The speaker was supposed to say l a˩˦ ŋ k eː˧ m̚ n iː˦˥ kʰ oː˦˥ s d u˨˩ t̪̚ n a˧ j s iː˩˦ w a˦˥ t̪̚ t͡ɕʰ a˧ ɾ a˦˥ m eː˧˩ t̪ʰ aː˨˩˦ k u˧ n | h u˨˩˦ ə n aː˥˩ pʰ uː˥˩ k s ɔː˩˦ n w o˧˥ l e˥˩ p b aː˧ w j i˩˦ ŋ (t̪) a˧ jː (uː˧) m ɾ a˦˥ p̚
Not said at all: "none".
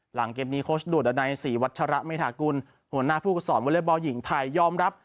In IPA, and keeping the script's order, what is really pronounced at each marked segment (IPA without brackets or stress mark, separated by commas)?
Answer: t̪ʰ, ɔː˧